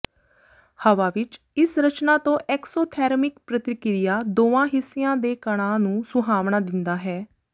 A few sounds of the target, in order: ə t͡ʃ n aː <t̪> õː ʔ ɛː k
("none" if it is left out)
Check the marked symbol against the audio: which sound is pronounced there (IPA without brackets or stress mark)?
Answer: t̪